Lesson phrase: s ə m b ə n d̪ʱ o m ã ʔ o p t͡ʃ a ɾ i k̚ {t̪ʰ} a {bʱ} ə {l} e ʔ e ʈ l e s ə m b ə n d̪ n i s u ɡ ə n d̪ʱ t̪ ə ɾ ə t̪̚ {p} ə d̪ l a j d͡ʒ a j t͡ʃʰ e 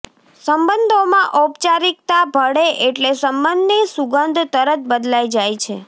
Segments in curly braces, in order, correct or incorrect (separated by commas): incorrect, correct, incorrect, incorrect